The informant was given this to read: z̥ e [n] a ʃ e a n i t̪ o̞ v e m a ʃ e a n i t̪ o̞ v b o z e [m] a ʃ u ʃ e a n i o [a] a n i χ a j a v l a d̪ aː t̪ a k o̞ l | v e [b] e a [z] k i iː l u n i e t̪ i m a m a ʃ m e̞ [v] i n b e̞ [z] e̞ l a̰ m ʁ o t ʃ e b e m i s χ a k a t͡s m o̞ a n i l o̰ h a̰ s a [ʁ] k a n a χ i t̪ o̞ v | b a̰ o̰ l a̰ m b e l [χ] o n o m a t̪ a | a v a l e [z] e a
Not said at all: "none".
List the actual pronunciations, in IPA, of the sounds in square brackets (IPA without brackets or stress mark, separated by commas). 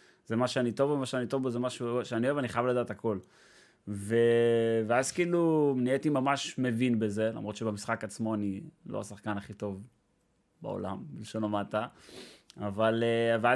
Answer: m, m, e, v, z, v, z, χ, ʃ, v